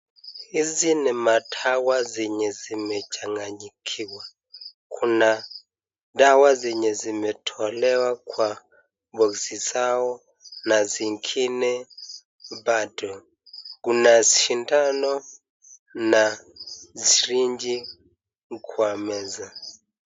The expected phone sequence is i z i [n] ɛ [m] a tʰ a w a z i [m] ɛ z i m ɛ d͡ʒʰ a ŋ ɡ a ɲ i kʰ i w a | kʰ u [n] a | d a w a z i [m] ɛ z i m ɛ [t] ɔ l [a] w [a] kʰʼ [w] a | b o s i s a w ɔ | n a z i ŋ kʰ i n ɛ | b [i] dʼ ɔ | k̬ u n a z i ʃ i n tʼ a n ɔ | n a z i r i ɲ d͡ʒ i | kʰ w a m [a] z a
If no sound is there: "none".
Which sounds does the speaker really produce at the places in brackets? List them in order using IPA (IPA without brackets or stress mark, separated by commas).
n, m, ɲ, n, ɲ, tʰ, ɛ, a, w, a, ɛ